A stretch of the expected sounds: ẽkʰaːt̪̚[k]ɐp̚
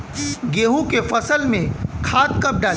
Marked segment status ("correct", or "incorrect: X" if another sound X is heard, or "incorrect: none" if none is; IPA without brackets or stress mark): correct